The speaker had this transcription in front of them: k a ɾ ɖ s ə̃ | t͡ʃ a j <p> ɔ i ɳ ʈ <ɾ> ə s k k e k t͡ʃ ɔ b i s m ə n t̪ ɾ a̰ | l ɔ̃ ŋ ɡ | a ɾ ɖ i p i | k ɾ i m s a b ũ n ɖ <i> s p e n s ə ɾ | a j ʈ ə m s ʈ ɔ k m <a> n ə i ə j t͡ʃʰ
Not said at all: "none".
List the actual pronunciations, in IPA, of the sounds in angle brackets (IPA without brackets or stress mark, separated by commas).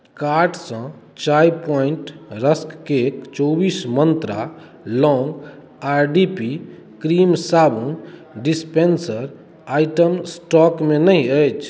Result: p, ɾ, i, e